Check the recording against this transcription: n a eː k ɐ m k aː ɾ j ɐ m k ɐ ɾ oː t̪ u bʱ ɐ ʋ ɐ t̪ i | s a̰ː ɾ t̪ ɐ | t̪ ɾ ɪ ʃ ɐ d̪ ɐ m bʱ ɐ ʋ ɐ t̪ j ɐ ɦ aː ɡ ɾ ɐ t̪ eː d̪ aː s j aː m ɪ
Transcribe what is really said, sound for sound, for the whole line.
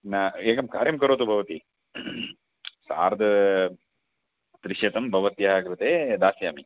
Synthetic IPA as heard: n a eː k ɐ m k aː ɾ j ɐ m k ɐ ɾ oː t̪ u bʱ ɐ ʋ ɐ t̪ i | s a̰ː ɾ d̪ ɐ | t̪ ɾ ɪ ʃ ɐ t̪ ɐ m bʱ ɐ ʋ ɐ t̪ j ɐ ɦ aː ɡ ɾ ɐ t̪ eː d̪ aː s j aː m i